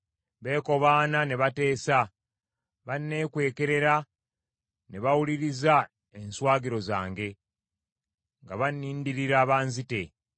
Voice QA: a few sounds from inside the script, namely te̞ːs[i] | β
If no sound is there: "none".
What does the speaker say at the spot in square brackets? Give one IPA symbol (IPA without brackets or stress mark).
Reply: a